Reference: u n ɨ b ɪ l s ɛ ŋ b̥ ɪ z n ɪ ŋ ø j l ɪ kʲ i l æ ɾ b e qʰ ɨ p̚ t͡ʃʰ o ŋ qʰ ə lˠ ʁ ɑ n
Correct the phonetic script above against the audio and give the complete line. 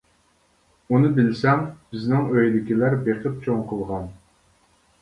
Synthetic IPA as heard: u n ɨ b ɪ l s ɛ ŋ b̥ ɪ z n ɪ ŋ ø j l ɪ kʲ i l æ ɾ b e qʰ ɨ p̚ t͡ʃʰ o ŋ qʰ ə lˠ ʁ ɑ n